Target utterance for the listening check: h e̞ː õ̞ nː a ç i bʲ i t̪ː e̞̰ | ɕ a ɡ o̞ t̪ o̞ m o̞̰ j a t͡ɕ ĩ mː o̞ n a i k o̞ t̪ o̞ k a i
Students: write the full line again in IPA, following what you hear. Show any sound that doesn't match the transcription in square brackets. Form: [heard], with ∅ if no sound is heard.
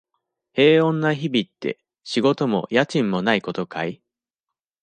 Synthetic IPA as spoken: h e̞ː õ̞ nː a ç i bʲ i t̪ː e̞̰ | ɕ [i] ɡ o̞ t̪ o̞ m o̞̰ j a t͡ɕ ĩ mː o̞ n a i k o̞ t̪ o̞ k a i